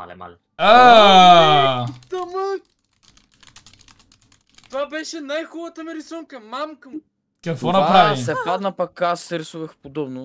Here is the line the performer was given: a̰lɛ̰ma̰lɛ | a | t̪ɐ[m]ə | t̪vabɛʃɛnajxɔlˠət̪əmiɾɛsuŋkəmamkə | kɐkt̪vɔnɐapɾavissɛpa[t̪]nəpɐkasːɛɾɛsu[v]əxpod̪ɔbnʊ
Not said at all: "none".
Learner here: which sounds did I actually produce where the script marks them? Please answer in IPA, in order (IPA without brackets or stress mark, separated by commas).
m, d̪, v